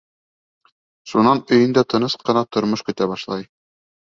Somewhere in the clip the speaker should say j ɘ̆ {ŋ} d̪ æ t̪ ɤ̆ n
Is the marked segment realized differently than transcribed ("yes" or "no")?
yes